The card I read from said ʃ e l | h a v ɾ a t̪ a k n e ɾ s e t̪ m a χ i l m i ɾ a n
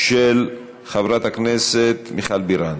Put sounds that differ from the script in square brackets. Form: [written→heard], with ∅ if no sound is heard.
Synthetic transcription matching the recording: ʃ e l | [h→χ] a v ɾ a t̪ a k n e [ɾ→∅] s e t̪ m [a→i] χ [i→a] l [m→b] i ɾ a n